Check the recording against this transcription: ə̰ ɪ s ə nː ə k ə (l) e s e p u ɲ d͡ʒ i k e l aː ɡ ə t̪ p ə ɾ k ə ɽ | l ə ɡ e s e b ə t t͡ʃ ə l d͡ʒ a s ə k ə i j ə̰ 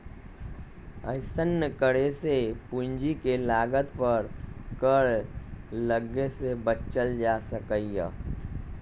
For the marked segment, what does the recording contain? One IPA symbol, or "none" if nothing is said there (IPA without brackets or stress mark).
ɽ